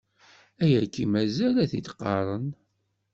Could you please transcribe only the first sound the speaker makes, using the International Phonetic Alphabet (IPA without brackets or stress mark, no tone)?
æ